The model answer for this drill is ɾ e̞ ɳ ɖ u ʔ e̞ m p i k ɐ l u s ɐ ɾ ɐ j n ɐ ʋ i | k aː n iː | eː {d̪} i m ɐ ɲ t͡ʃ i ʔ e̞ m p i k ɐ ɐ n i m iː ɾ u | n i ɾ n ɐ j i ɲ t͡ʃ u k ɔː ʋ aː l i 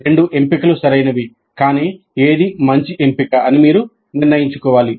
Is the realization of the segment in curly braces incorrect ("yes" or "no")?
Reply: no